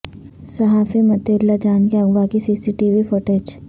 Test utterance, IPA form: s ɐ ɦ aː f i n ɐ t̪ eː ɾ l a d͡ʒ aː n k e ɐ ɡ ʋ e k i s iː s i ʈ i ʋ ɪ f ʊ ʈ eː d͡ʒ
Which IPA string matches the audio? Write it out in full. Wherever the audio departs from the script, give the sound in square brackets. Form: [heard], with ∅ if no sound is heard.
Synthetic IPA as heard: s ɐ ɦ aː f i [m] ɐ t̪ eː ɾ l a d͡ʒ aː n k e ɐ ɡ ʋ [a] k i s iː s i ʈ i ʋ [i] f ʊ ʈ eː d͡ʒ